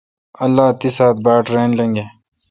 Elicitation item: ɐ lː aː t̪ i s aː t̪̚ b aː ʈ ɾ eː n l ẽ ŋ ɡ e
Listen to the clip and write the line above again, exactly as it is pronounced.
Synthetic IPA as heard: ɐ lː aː t̪ i s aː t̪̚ b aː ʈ ɾ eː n l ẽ ŋ ɡ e